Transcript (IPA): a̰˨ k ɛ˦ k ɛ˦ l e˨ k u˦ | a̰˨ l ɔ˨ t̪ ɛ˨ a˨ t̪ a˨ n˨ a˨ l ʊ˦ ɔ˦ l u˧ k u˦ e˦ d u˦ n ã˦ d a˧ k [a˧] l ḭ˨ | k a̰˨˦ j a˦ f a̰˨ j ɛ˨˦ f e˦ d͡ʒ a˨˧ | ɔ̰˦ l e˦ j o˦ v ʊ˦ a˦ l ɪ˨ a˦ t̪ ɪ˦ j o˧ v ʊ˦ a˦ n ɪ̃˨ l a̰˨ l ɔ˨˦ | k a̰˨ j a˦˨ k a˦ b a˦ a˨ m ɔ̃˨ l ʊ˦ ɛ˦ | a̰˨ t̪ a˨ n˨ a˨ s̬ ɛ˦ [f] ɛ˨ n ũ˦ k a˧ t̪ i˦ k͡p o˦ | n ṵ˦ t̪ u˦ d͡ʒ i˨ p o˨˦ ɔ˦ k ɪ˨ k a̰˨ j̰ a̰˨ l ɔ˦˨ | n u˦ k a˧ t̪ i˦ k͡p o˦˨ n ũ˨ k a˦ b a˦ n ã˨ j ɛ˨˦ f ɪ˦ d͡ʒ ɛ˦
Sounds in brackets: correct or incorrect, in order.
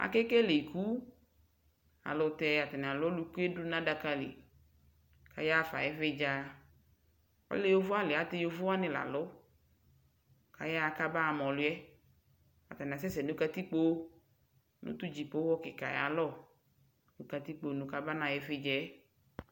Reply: correct, incorrect

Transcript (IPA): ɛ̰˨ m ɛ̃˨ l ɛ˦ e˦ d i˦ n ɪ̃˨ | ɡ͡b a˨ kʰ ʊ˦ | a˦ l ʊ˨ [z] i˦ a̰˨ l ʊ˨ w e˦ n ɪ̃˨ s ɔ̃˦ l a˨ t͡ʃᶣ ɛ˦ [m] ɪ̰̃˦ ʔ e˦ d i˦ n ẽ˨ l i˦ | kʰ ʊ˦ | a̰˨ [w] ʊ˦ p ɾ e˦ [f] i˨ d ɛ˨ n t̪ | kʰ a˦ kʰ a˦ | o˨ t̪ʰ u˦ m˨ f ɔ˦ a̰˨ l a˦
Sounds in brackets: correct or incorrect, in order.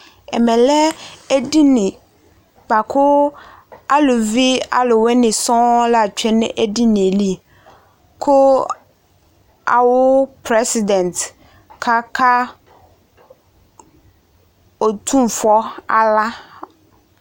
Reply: incorrect, incorrect, correct, incorrect

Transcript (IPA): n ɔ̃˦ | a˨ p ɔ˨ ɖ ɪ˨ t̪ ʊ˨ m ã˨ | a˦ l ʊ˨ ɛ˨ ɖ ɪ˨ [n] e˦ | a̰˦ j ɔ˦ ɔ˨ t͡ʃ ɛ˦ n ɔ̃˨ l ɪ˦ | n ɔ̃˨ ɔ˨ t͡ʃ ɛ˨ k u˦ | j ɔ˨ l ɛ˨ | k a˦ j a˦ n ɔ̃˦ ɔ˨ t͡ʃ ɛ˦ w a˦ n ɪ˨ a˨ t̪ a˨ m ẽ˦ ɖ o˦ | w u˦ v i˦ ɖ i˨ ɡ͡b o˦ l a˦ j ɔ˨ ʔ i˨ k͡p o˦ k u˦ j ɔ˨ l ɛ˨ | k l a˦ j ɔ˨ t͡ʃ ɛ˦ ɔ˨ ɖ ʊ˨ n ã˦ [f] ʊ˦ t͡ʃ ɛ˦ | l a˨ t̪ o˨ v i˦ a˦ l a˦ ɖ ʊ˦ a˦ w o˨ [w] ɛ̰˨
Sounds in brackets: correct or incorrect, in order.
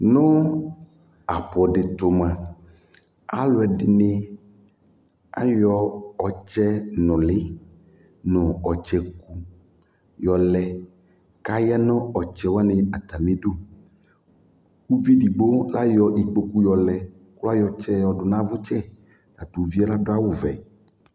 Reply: correct, incorrect, incorrect

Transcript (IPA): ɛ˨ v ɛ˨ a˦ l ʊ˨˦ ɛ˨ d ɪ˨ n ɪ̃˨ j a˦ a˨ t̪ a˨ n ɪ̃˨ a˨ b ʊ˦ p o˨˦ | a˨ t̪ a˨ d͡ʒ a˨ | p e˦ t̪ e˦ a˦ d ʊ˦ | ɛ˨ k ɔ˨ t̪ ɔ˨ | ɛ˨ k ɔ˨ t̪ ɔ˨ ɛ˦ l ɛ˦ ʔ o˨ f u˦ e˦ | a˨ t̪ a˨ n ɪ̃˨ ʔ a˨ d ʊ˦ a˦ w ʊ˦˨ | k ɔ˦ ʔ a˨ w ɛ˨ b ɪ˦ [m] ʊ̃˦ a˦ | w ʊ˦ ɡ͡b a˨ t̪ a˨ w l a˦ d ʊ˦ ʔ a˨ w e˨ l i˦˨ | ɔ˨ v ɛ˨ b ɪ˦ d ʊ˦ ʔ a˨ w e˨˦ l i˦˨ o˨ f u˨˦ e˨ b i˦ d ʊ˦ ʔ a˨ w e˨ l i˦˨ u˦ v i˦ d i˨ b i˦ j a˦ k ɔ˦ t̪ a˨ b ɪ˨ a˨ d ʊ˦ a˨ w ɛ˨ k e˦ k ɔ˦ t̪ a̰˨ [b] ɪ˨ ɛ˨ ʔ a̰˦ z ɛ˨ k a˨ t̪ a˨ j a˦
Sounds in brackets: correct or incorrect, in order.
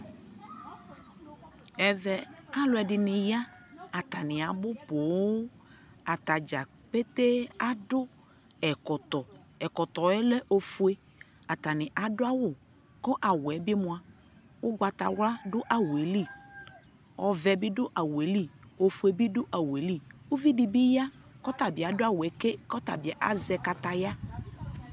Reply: correct, correct

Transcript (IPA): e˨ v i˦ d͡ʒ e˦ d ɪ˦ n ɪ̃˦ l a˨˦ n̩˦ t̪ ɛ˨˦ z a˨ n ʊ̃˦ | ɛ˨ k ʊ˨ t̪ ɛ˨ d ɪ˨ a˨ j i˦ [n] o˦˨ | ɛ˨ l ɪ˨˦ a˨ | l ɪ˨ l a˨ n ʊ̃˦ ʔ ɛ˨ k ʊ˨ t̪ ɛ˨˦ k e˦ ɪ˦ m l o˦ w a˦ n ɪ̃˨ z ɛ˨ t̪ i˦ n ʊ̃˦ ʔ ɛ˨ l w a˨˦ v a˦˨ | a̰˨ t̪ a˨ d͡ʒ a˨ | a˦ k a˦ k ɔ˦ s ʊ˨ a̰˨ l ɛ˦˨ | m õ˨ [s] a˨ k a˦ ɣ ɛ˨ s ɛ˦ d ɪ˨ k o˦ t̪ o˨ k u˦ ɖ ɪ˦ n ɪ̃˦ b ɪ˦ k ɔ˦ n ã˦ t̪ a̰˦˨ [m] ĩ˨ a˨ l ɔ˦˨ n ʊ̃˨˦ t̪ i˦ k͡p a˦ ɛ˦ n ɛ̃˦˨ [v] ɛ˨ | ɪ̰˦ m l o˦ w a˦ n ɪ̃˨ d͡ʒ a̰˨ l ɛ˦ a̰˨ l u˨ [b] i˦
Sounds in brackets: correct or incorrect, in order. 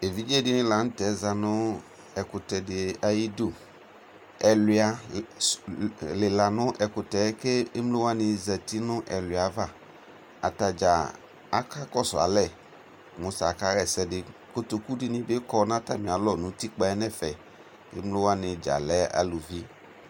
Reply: incorrect, correct, correct, incorrect, incorrect

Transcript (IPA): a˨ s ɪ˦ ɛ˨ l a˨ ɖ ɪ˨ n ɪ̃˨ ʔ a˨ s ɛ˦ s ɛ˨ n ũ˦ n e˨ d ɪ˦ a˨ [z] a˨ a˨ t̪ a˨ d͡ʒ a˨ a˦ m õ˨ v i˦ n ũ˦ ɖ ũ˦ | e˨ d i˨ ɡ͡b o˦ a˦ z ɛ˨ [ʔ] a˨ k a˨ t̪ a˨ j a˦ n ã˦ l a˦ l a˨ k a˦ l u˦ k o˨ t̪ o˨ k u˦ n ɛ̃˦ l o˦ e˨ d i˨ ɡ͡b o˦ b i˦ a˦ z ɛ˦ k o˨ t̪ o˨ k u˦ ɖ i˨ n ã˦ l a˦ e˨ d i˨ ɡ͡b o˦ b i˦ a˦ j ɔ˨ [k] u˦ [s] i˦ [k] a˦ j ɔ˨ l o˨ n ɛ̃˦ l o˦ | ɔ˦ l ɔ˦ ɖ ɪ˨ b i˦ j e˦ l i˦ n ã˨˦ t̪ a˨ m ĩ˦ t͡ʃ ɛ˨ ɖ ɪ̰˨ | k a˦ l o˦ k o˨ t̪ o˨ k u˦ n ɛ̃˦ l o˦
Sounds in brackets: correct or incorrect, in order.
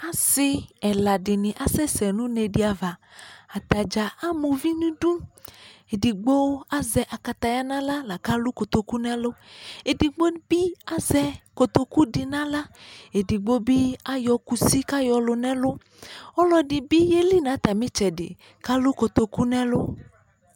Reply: incorrect, correct, correct, correct, correct

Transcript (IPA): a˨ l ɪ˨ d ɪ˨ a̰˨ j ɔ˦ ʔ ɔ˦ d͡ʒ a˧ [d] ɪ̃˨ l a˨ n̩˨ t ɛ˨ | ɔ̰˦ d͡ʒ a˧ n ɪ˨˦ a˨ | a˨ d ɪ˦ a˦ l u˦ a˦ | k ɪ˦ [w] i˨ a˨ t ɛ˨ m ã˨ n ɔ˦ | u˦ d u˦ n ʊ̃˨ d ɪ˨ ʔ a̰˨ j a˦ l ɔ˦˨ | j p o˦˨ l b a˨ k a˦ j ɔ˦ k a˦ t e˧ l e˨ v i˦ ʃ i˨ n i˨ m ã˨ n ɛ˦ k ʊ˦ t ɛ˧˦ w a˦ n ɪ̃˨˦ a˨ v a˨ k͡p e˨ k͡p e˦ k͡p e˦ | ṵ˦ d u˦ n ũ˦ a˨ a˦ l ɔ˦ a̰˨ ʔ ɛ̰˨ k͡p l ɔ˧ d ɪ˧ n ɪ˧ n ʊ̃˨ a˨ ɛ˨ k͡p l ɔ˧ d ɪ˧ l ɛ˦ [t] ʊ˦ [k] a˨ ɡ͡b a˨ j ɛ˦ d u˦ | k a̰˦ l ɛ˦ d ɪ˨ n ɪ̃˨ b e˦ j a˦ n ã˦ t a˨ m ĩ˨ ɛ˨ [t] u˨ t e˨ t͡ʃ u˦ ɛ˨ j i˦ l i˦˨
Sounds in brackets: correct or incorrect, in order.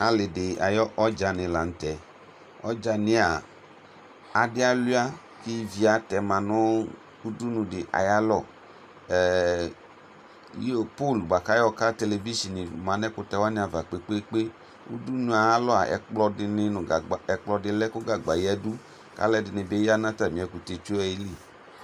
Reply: incorrect, incorrect, incorrect, incorrect, incorrect

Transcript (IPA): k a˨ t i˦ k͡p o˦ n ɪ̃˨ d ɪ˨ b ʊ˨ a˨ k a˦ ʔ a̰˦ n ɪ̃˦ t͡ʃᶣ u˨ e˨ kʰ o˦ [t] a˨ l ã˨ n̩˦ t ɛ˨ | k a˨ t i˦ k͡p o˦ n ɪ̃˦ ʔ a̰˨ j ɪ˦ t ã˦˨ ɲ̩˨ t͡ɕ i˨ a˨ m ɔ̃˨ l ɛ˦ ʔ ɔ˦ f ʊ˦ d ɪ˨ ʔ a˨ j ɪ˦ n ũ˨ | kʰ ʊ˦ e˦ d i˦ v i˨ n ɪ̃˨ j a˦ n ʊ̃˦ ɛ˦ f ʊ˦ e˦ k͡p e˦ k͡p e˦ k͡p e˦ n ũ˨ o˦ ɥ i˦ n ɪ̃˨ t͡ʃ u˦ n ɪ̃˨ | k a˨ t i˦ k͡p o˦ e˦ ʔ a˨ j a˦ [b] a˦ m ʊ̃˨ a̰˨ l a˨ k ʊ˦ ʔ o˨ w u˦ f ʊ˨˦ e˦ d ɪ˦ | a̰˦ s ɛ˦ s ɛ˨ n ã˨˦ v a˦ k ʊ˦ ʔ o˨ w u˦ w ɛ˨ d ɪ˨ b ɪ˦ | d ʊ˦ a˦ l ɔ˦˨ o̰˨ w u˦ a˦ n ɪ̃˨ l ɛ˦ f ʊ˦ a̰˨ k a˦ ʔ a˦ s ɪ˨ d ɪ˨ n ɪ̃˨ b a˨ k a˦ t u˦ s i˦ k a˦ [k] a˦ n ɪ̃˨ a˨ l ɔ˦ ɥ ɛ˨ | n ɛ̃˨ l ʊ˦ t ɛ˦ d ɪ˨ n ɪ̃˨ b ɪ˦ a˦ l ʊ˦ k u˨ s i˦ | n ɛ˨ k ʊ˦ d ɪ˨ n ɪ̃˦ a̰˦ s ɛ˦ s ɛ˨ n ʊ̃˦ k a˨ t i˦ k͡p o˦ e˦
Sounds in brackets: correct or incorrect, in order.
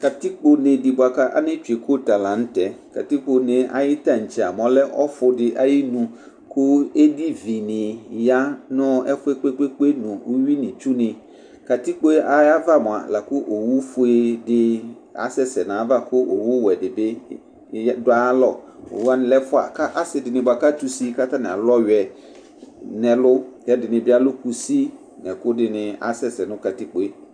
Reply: correct, incorrect, incorrect

